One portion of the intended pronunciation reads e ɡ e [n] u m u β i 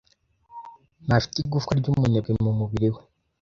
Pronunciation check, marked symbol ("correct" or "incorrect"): incorrect